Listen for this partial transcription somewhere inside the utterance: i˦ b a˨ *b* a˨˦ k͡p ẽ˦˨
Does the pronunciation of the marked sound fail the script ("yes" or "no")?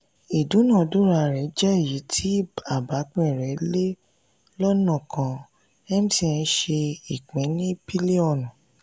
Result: no